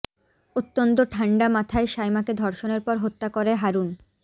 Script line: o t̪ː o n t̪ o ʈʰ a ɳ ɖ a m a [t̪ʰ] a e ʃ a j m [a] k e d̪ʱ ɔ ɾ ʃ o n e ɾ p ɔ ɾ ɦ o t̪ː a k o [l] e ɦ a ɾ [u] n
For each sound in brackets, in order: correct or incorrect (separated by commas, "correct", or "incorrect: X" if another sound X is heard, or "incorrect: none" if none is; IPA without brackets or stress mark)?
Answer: correct, correct, incorrect: ɾ, correct